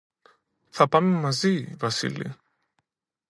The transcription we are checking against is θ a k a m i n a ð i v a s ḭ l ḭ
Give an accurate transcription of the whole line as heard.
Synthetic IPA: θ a p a m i m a z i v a s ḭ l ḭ